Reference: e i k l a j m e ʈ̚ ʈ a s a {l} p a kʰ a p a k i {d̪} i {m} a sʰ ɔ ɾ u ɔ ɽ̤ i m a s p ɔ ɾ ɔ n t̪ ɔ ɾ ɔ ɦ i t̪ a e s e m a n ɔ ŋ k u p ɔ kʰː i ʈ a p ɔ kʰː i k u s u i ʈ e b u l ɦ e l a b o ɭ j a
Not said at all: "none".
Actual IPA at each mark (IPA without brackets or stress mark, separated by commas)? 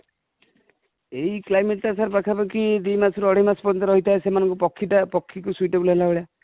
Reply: ɾ, d̪, m